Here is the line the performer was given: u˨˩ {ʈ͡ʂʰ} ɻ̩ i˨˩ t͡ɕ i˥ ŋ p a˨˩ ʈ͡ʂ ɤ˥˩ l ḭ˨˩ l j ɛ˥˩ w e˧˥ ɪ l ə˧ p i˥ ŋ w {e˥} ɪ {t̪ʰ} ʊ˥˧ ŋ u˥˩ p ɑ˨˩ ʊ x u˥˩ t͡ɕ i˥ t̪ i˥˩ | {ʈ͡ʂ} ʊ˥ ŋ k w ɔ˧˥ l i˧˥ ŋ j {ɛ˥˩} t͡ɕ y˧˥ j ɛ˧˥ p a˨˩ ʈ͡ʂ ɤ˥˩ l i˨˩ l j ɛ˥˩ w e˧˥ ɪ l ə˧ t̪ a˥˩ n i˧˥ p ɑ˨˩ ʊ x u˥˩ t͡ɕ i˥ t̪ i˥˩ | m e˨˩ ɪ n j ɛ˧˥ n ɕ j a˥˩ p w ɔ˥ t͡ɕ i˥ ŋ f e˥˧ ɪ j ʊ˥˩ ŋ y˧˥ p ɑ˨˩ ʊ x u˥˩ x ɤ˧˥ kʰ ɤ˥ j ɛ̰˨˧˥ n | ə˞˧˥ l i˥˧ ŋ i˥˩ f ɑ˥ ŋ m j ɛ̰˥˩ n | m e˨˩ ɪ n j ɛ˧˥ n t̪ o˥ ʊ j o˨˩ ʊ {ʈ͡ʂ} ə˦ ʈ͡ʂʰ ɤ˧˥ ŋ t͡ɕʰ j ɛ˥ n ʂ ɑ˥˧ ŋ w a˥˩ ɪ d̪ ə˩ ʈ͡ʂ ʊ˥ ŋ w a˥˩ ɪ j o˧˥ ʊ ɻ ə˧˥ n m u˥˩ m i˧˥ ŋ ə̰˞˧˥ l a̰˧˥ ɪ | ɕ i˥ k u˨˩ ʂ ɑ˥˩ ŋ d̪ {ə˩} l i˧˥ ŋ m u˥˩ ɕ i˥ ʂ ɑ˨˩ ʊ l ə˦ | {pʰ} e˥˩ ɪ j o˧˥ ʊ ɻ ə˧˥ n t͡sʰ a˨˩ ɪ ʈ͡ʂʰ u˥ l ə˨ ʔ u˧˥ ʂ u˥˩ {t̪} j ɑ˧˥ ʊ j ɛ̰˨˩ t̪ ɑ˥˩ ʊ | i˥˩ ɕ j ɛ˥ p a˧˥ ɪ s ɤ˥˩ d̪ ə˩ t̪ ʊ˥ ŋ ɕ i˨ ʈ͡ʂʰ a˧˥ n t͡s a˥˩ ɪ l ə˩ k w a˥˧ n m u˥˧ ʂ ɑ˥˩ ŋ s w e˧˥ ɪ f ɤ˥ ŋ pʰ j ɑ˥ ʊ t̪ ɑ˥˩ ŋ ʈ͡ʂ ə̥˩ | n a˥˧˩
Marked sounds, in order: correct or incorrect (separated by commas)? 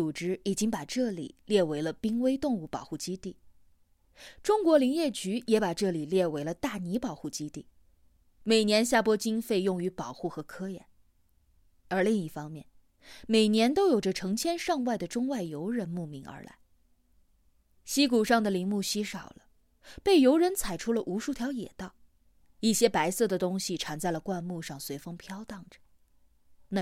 incorrect, correct, incorrect, correct, correct, correct, correct, incorrect, incorrect